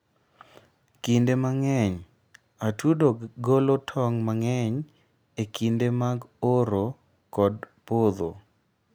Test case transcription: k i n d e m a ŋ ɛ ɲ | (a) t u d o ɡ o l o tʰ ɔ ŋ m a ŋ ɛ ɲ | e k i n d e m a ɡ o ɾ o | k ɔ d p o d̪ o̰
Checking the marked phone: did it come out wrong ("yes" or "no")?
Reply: no